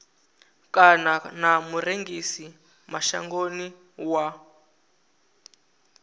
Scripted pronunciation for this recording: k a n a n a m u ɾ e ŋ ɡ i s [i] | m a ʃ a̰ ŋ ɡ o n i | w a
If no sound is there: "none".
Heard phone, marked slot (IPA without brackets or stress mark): i